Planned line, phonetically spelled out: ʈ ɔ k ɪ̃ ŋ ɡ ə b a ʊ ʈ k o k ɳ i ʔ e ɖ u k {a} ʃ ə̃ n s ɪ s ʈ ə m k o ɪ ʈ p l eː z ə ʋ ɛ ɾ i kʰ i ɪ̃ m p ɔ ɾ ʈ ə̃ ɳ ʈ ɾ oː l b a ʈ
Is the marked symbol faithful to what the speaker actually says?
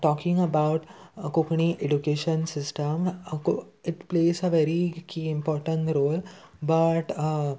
no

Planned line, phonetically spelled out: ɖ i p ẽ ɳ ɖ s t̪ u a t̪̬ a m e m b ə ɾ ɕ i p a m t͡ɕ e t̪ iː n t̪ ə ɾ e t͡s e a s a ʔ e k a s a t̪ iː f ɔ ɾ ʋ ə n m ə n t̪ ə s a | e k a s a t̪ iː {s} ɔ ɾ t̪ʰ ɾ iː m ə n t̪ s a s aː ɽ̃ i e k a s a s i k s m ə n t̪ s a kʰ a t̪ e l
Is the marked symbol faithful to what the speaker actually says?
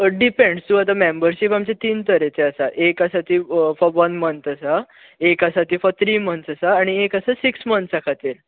no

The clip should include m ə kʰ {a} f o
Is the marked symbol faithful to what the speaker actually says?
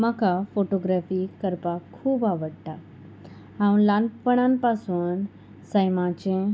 yes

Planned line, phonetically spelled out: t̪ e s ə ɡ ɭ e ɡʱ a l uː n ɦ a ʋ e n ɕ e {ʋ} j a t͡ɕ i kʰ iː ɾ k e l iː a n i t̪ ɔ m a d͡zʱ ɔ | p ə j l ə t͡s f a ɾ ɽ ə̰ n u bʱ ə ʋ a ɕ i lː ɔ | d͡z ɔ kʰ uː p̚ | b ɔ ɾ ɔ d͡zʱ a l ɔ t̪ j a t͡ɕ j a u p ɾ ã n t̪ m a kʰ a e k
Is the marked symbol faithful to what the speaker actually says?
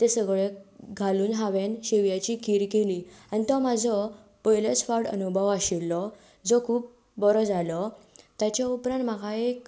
yes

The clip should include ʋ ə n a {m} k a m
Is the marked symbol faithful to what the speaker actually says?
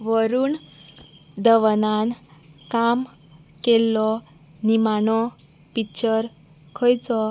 no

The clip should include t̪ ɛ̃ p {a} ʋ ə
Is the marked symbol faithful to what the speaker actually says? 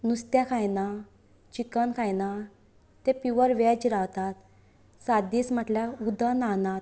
no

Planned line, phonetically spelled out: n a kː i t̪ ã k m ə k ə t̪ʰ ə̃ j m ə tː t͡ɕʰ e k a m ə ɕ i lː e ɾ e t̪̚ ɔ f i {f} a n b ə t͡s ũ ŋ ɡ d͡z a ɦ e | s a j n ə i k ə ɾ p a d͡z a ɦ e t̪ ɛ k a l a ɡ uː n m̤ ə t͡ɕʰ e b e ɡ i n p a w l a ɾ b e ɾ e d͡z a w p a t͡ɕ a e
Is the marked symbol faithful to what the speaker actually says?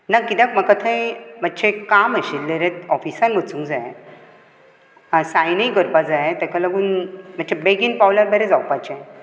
no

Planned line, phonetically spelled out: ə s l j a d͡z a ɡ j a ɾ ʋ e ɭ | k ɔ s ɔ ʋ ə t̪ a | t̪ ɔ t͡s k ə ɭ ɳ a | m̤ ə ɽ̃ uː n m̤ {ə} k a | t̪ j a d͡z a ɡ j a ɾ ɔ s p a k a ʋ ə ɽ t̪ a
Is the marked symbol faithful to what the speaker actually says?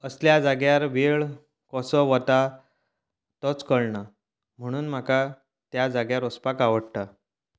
no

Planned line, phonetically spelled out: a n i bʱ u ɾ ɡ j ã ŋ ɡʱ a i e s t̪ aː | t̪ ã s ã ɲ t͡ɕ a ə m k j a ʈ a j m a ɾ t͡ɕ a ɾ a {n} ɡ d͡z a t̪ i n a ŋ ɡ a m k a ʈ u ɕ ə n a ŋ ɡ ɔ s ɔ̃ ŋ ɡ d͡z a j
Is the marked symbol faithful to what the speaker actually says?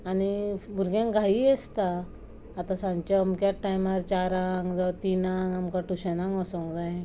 no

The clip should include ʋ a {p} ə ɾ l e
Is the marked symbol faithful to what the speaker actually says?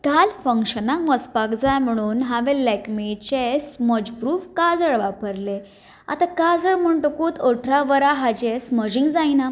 yes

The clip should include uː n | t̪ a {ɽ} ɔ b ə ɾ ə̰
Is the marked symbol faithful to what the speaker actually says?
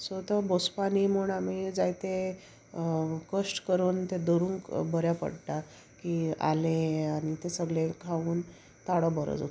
yes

